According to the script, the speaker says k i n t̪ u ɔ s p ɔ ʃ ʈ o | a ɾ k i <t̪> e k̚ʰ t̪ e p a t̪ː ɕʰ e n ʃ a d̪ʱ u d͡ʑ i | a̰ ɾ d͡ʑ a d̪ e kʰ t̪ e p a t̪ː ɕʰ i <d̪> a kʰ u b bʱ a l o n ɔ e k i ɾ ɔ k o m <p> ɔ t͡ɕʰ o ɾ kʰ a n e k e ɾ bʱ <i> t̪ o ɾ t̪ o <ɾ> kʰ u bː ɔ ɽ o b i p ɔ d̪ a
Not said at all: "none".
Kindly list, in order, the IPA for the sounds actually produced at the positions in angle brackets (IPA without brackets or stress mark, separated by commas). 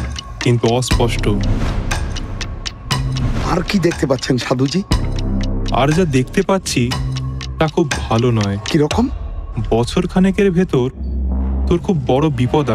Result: d̪, t̪, b, e, ɾ